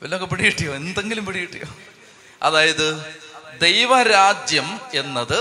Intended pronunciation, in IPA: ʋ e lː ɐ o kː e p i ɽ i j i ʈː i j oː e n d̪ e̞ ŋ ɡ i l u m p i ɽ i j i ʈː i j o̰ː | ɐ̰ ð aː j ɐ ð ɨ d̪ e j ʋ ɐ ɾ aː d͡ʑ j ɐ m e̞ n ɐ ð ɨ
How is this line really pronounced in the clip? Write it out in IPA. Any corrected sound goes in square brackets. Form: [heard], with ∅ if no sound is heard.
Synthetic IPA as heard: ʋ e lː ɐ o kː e p i ɽ i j i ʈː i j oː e n d̪ e̞ ŋ ɡ i l u m p i ɽ i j i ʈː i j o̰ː | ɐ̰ ð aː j ɐ ð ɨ d̪ e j ʋ ɐ ɾ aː d͡ʑ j ɐ m e̞ [nː] ɐ ð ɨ